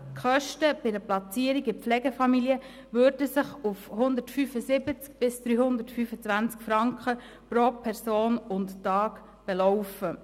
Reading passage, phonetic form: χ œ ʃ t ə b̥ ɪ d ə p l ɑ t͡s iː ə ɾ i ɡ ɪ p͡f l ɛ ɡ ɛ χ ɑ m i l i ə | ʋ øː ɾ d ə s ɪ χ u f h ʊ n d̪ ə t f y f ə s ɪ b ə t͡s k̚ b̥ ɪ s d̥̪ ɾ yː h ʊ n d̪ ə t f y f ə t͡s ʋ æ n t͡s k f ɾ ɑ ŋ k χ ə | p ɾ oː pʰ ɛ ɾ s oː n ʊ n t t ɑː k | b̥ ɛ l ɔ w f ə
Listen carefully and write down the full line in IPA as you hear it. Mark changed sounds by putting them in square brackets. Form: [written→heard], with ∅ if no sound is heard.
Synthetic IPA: χ œ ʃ t ə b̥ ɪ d ə p l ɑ t͡s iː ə ɾ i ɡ ɪ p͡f l ɛ ɡ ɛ [χ→f] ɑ m i l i ə | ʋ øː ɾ d ə s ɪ χ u f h ʊ n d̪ ə t f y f ə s ɪ b ə t͡s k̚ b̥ ɪ s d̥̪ ɾ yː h ʊ n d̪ ə t f y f ə t͡s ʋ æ n t͡s k f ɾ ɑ ŋ k χ ə | p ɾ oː pʰ ɛ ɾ s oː n ʊ n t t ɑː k | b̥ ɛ l ɔ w f ə

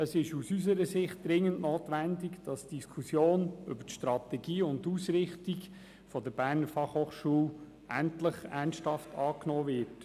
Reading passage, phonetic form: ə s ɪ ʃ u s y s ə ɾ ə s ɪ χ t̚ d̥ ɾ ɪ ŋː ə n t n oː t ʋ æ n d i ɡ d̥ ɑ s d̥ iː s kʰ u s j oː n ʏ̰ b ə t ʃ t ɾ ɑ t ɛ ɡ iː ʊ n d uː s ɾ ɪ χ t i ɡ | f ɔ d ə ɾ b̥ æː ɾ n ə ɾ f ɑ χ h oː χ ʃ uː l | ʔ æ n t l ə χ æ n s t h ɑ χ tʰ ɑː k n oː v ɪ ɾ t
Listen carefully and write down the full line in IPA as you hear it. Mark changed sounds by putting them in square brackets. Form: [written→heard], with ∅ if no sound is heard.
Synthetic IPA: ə s ɪ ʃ u s y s ə ɾ ə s ɪ χ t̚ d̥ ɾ ɪ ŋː ə n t n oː t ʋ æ n d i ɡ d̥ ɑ s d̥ [iː→i] s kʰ u s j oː n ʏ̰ b ə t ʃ t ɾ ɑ t ɛ ɡ iː ʊ n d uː s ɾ ɪ χ t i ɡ | f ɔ d ə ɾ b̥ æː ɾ n ə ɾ f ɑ χ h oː χ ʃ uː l | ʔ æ n t l ə χ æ n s t h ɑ [χ→f] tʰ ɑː k n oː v ɪ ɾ t

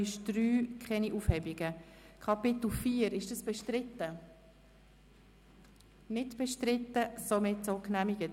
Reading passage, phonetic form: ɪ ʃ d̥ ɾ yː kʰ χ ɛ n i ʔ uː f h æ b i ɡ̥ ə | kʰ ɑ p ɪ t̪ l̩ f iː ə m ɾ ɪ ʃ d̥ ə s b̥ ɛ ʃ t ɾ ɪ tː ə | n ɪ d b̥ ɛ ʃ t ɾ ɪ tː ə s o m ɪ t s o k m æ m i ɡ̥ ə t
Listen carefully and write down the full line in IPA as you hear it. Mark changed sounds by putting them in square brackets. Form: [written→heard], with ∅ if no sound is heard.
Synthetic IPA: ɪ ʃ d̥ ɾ yː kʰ χ ɛ n i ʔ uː f h [æ→ɛ] b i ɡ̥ ə | kʰ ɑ p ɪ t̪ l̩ f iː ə [m→∅] ɾ ɪ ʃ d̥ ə s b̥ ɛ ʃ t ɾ ɪ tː ə | n ɪ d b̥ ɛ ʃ t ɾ ɪ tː ə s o m ɪ t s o k [m→n] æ m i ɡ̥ ə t

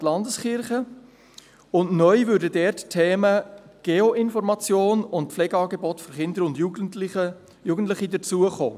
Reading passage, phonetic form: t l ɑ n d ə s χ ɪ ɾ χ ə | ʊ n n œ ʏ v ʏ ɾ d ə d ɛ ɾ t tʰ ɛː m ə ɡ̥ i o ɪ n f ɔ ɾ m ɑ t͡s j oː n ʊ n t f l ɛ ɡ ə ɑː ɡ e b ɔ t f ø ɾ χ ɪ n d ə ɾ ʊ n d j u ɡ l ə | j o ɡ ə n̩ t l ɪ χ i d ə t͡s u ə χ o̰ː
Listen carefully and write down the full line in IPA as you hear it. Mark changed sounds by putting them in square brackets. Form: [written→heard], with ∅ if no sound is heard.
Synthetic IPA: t l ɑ n d ə s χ ɪ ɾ χ ə | ʊ n n œ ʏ v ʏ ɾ d ə d ɛ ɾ t tʰ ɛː m ə ɡ̥ [i→e] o ɪ n f ɔ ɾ m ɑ t͡s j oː n ʊ n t f l ɛ ɡ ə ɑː ɡ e b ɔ t f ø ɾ χ ɪ n d ə ɾ ʊ n d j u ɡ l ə | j [o→u] ɡ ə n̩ t l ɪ χ i d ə t͡s u ə χ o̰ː

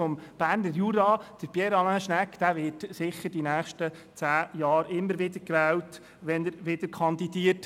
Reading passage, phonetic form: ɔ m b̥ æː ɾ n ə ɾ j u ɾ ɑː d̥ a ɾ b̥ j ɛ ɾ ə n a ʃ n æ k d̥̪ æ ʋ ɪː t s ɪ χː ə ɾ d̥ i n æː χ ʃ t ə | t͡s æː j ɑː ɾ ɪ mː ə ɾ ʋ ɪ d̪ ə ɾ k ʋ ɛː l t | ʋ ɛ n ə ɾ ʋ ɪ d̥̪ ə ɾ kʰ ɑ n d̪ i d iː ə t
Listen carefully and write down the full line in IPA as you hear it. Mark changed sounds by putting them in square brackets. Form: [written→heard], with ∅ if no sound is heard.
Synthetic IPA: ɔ m b̥ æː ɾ n ə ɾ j u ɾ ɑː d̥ [a→ə] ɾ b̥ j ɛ ɾ [ə→ɑ] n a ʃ n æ k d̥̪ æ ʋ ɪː t s ɪ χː ə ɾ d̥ i n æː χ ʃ t ə | t͡s æː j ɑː ɾ ɪ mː ə ɾ ʋ ɪ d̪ ə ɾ k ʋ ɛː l t | ʋ ɛ n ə ɾ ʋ ɪ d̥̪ ə ɾ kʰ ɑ n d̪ i d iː ə t

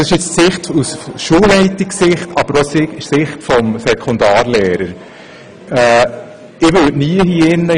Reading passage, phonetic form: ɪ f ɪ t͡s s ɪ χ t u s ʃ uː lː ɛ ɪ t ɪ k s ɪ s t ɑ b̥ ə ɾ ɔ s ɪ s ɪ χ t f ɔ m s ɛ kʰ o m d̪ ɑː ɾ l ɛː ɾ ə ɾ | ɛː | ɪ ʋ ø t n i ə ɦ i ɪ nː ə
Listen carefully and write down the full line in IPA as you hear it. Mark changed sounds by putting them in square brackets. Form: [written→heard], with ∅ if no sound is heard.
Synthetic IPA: ɪ [f→ʃ] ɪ t͡s s ɪ χ t u s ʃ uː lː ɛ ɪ t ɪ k s ɪ [s→χ] t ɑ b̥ ə ɾ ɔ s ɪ s ɪ χ t f ɔ m s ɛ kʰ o [m→n] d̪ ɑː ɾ l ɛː ɾ ə ɾ | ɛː | ɪ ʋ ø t n i ə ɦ i ɪ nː ə

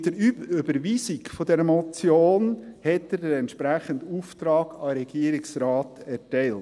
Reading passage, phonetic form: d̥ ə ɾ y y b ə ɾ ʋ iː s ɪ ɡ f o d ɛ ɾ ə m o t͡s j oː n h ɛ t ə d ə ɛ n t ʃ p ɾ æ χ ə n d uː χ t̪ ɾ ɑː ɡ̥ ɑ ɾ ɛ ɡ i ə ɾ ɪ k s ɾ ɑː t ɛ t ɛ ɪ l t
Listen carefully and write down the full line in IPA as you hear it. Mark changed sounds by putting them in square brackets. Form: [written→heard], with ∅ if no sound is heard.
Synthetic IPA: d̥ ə ɾ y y b ə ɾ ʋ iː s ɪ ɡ f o d ɛ ɾ ə m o t͡s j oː n h ɛ t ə d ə ɛ n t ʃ p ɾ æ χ ə n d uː [χ→f] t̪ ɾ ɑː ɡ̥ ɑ ɾ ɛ ɡ i ə ɾ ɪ k s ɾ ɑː t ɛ t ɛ ɪ l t

